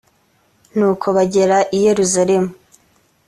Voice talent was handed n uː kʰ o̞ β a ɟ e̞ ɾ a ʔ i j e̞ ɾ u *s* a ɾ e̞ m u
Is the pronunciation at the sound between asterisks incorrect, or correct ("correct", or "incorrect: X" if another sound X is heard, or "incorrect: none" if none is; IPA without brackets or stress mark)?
incorrect: z